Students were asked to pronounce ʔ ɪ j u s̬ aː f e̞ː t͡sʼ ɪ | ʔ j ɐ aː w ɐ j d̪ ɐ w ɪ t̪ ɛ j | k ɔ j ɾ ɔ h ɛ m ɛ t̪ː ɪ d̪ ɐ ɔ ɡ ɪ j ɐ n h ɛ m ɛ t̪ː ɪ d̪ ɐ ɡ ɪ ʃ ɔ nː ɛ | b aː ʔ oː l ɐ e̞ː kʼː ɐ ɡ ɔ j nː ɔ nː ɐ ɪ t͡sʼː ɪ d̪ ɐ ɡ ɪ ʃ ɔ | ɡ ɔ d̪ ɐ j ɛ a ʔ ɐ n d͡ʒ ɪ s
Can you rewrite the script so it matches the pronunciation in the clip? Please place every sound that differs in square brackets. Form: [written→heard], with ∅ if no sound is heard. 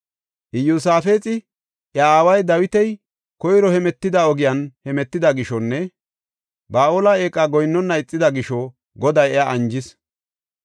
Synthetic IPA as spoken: ʔ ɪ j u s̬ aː f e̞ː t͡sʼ ɪ | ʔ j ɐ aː w ɐ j d̪ ɐ w ɪ t̪ ɛ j | k ɔ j ɾ ɔ h ɛ m ɛ t̪ː ɪ d̪ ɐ ɔ ɡ ɪ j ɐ n h ɛ m ɛ t̪ː ɪ d̪ ɐ ɡ ɪ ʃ ɔ nː ɛ | b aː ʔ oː l ɐ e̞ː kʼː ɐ ɡ ɔ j nː ɔ nː ɐ ɪ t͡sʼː ɪ d̪ ɐ ɡ ɪ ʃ ɔ | ɡ ɔ d̪ ɐ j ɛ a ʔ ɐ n d͡ʒ ɪ s